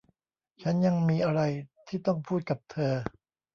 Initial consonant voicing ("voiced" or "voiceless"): voiceless